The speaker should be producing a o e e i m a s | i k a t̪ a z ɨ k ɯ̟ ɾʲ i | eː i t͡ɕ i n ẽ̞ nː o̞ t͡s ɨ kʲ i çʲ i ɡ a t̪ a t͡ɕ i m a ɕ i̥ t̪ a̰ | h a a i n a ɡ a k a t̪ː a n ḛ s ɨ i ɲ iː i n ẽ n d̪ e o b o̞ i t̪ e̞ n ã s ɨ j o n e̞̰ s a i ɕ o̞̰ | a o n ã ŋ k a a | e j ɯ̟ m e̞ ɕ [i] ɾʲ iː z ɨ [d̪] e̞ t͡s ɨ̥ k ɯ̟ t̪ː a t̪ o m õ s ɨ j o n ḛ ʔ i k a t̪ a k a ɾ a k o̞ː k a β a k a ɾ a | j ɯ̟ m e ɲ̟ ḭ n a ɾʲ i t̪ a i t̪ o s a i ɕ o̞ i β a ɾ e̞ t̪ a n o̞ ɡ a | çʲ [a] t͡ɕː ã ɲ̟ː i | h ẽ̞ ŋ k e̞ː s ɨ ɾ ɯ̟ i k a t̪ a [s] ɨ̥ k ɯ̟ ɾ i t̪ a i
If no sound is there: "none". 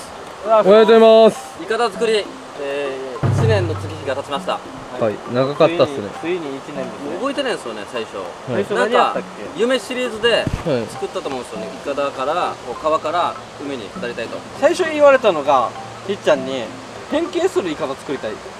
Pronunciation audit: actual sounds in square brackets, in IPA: i, d̪, i, t͡s

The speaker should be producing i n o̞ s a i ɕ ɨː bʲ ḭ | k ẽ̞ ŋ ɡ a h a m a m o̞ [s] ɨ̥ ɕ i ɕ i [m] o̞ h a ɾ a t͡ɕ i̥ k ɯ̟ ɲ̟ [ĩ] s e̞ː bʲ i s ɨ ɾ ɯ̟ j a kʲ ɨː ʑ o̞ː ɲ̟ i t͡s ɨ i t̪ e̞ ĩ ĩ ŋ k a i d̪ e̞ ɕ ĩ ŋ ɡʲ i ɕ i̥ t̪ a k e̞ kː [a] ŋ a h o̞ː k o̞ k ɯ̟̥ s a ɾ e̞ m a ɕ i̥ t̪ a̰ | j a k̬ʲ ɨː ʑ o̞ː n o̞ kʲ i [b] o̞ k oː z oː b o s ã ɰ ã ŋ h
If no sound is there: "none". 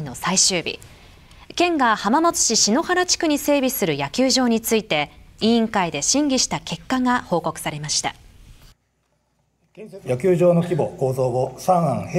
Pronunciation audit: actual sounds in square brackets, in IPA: t͡s, n, i, a, b

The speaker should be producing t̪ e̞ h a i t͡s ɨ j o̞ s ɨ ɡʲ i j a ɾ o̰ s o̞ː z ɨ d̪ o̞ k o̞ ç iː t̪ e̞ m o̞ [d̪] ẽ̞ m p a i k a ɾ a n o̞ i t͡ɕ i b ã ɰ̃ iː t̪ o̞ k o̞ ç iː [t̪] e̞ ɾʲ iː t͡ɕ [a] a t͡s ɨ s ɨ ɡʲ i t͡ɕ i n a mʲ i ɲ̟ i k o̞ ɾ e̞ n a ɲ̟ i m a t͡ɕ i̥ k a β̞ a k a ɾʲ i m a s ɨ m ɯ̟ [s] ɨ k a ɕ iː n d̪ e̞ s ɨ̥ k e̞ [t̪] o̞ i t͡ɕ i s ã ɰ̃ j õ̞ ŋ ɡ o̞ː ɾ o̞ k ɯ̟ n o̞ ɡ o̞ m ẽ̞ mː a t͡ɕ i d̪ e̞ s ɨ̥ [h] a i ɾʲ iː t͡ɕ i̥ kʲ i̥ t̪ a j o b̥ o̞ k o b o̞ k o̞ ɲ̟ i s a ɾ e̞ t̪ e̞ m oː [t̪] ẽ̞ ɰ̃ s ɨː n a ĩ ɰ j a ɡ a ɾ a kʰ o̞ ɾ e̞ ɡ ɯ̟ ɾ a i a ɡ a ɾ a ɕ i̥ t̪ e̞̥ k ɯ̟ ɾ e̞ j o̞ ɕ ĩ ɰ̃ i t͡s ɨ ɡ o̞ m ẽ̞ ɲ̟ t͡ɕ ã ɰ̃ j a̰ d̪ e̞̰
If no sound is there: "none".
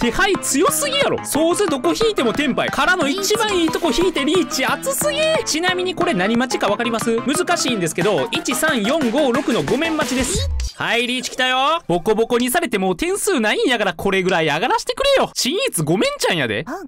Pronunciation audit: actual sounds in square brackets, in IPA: t̪, t̪, i, z, d̪, h, t̪

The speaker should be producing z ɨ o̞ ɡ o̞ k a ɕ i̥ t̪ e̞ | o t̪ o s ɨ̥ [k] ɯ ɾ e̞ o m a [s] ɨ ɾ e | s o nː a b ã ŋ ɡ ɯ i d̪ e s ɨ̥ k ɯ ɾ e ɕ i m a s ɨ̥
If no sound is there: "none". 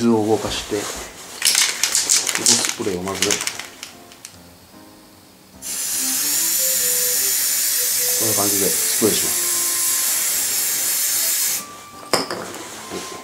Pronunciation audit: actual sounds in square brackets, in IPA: p, z

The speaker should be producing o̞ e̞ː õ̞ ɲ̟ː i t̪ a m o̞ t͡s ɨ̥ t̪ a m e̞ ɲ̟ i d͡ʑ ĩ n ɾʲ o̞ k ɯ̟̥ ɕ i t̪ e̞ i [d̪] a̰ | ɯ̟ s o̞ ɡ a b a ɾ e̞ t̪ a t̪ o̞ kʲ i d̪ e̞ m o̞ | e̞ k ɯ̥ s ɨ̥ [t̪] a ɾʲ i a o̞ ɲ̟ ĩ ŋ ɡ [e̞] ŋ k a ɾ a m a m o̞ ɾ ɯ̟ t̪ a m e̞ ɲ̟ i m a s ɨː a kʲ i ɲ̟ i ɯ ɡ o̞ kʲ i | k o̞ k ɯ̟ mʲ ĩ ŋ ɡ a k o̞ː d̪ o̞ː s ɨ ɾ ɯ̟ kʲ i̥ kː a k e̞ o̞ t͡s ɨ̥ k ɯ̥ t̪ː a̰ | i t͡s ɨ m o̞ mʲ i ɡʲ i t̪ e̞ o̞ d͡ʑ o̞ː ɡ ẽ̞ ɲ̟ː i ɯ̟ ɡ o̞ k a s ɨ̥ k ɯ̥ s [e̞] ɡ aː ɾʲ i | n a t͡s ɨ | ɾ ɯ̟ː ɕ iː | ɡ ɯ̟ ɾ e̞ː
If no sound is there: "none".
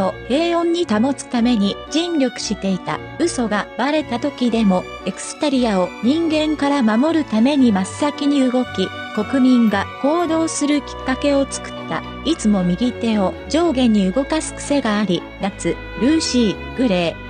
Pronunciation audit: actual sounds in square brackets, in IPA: t̪, t̪, ẽ̞, e̞

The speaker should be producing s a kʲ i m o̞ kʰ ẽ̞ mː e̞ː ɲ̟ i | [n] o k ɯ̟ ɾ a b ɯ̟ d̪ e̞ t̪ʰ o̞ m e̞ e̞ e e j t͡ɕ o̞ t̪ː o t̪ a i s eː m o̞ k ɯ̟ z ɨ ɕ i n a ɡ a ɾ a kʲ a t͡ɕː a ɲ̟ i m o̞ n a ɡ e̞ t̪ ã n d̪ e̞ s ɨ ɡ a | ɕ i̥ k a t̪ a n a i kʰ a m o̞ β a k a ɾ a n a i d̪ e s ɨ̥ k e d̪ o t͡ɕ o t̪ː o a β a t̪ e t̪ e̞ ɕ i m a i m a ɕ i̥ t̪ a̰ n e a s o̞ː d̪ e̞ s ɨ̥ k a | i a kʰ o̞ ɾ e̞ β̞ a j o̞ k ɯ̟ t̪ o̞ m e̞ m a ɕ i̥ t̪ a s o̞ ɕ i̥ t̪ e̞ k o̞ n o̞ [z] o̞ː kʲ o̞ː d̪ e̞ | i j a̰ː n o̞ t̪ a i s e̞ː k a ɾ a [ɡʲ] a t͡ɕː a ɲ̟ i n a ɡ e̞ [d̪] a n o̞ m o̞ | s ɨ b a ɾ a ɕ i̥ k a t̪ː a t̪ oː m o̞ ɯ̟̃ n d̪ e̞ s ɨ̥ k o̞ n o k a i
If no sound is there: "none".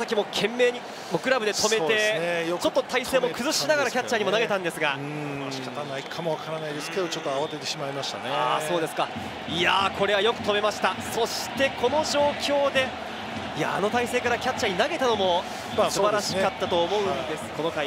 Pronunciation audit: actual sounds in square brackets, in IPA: m, ʑ, kʲ, t̪

